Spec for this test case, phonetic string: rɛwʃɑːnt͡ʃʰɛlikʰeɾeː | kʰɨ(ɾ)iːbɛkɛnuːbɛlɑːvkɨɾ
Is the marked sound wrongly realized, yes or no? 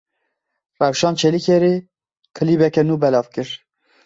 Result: yes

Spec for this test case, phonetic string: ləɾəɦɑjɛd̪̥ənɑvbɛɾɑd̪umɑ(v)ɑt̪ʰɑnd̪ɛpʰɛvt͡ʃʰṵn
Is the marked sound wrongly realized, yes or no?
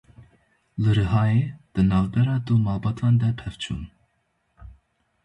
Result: yes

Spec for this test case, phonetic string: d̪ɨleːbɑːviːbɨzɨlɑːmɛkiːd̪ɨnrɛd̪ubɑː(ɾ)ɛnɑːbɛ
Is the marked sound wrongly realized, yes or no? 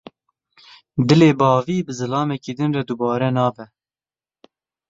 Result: no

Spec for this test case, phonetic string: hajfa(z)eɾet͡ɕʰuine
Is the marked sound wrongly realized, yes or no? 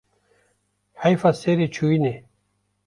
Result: yes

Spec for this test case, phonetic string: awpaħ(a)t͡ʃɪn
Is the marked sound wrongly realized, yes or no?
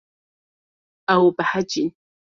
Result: no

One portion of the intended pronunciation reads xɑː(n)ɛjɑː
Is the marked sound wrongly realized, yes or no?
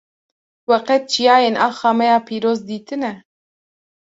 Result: yes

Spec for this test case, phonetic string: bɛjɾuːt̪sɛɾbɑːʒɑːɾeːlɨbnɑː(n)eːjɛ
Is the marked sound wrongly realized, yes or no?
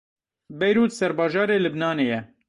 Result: no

